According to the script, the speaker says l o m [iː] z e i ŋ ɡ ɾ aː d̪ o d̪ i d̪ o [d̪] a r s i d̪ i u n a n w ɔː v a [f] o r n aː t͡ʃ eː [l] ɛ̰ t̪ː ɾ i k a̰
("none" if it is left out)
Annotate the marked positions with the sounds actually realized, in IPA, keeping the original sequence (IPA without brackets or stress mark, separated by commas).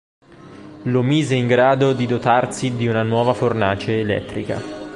iː, t̪, f, l